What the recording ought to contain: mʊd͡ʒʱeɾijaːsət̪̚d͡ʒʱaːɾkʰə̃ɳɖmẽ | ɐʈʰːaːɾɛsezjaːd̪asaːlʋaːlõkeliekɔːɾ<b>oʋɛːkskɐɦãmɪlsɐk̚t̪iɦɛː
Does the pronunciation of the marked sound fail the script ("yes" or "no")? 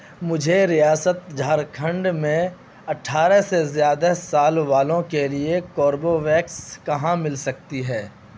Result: no